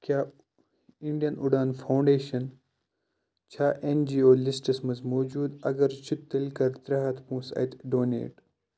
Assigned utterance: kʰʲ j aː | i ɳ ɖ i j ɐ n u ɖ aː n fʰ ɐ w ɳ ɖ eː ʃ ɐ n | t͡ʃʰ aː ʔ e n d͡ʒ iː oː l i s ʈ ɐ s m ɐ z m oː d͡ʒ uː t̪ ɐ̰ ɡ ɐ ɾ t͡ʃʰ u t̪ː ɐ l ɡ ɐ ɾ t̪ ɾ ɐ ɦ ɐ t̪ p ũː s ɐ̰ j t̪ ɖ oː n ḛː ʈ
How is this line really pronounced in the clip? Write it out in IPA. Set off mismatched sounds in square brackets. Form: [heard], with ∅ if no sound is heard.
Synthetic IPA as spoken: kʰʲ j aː | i ɳ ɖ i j ɐ n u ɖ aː n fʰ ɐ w ɳ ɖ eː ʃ ɐ n | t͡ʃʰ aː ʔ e n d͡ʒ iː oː l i s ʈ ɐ s m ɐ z m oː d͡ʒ uː [d̪] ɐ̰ ɡ ɐ ɾ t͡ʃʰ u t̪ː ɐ l [k] ɐ ɾ t̪ ɾ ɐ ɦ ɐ t̪ p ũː s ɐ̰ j t̪ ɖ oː n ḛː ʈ

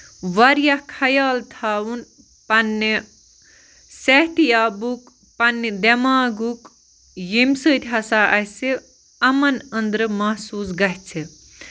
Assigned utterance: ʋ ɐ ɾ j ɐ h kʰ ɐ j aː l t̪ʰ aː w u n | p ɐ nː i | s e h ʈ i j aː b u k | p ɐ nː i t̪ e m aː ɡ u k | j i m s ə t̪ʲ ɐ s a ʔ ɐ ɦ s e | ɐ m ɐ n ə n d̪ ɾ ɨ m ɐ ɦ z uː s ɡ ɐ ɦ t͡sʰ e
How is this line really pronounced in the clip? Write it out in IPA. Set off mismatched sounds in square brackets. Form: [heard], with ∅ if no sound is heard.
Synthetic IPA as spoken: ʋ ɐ ɾ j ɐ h kʰ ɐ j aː l t̪ʰ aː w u n | p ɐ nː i | s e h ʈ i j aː b u k | p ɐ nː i [d̪] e m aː ɡ u k | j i m s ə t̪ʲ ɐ s a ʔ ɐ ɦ s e | ɐ m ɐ n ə n d̪ ɾ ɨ m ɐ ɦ [s] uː s ɡ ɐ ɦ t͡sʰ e

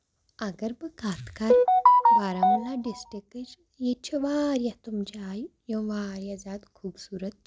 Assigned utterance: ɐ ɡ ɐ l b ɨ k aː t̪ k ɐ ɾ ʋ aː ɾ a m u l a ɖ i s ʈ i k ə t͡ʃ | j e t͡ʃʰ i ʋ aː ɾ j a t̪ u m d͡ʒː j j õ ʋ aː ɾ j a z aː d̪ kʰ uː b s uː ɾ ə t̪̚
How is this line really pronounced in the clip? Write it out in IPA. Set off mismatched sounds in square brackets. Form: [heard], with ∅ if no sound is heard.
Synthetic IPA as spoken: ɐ ɡ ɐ [ɾ] b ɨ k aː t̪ k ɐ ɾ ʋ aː ɾ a m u l a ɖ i s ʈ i k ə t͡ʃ | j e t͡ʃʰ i ʋ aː ɾ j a t̪ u m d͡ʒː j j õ ʋ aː ɾ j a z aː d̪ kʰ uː b s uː ɾ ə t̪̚

